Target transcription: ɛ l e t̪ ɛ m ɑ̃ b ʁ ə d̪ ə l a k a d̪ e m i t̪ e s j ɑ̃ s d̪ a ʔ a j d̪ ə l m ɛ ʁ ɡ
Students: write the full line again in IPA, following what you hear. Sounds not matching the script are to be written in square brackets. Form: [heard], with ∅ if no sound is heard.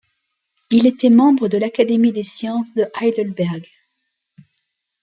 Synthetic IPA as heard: [i] l e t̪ ɛ m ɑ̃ b ʁ ə d̪ ə l a k a d̪ e m i [d̪] e s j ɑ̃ s d̪ [ə] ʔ a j d̪ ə l [b] ɛ ʁ ɡ